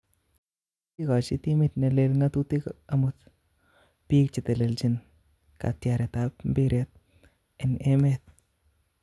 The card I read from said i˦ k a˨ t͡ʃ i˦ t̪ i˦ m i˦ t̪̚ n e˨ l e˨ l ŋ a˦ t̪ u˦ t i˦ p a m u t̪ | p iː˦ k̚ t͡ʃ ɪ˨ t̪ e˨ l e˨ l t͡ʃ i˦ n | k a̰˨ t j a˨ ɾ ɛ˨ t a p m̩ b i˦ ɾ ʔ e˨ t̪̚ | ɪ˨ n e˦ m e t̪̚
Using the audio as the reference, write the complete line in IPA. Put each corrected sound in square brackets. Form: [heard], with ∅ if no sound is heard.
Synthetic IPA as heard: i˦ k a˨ t͡ʃ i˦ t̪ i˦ m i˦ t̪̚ n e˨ l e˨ l ŋ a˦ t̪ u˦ t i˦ [k] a m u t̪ | p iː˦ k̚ t͡ʃ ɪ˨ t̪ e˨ l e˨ l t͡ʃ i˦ n | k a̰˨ t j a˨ ɾ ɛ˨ t a p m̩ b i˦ ɾ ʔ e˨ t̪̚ | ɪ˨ n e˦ m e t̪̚

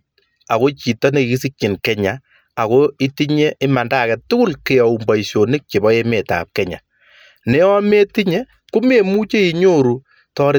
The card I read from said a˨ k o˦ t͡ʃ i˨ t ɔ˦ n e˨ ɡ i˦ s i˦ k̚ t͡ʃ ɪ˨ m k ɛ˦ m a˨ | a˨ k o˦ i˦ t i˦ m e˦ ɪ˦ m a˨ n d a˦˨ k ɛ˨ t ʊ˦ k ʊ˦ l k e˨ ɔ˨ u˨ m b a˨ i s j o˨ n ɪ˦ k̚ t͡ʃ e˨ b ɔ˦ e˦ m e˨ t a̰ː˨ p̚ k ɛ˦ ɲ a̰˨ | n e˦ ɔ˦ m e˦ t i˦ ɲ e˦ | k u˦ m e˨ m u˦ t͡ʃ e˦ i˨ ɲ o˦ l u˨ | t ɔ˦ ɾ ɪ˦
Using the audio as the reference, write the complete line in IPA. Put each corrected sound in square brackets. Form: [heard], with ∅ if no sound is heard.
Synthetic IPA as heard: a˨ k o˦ t͡ʃ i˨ t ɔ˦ n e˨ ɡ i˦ s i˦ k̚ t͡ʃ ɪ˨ [n] k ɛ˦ [ɲ] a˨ | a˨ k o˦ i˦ t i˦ [ɲ] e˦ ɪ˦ m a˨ n d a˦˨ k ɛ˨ t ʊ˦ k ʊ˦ l k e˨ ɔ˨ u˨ m b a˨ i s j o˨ n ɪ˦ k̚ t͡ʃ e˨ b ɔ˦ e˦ m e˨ t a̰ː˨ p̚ k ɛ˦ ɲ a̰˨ | n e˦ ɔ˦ m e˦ t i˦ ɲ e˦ | k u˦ m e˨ m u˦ t͡ʃ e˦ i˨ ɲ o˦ [ɾ] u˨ | t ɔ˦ ɾ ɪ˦

